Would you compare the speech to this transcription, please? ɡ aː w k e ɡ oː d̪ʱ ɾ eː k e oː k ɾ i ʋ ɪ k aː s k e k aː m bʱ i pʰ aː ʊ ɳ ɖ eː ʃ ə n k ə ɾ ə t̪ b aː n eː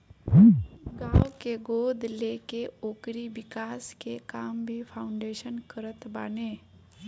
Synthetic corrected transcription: ɡ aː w k e ɡ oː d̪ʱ l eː k e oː k ɾ i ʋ ɪ k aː s k e k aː m bʱ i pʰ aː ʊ ɳ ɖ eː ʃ ə n k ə ɾ ə t̪ b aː n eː